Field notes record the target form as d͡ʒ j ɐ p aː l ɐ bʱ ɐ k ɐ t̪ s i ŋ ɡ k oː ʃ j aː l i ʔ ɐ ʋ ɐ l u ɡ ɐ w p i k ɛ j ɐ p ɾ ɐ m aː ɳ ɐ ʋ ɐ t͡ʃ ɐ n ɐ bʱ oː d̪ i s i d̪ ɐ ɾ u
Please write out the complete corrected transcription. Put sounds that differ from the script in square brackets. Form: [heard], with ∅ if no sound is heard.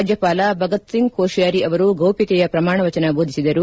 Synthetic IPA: d͡ʒ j ɐ p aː l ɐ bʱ ɐ [ɡ] ɐ t̪ s i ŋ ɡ k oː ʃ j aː [ɾ] i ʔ ɐ ʋ ɐ [ɾ] u ɡ ɐ w p i k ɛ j ɐ p ɾ ɐ m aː ɳ ɐ ʋ ɐ t͡ʃ ɐ n ɐ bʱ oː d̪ i s i d̪ ɐ ɾ u